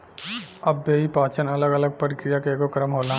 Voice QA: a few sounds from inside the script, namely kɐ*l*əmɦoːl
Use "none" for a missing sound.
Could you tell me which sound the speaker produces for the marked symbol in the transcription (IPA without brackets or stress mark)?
ɾ